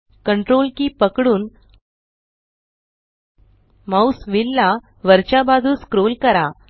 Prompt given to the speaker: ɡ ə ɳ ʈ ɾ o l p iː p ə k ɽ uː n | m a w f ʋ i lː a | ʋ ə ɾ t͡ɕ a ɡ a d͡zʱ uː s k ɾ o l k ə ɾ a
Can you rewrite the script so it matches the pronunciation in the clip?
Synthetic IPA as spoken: k ə ɳ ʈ ɾ o l k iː p ə k ɽ uː n | m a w s ʋ i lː a | ʋ ə ɾ t͡ɕ a b a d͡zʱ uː s k ɾ o l k ə ɾ a